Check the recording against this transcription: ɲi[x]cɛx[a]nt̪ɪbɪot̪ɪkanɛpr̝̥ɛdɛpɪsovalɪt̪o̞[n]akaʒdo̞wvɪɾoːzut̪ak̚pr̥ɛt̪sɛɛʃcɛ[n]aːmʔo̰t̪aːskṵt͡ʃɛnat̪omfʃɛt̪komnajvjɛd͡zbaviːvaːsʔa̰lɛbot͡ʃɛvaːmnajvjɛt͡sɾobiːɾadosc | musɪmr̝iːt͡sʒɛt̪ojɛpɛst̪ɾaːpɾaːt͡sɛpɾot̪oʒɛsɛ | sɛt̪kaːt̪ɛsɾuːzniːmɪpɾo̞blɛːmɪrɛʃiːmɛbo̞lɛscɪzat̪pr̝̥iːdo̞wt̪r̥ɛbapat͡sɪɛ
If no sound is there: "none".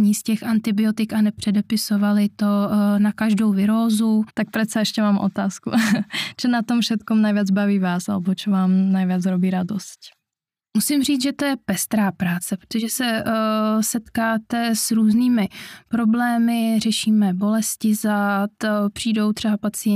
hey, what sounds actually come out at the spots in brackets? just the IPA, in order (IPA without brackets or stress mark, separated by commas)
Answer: s, a, n, m